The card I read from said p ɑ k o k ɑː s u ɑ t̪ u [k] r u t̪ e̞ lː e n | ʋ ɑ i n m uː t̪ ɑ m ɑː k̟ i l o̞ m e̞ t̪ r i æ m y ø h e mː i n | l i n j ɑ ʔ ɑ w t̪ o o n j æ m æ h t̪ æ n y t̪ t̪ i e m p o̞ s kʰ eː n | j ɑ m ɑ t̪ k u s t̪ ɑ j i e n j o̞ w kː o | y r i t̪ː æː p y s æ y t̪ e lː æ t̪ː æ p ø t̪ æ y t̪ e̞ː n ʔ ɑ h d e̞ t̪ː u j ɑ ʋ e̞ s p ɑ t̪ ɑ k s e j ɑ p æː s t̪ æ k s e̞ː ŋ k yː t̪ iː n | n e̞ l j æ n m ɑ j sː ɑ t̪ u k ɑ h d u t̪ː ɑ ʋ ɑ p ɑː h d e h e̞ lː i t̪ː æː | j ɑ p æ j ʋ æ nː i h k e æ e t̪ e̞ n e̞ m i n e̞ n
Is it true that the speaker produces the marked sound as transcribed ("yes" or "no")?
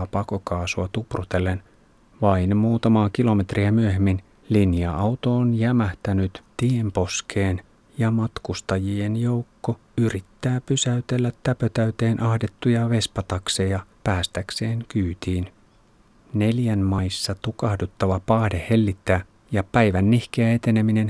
no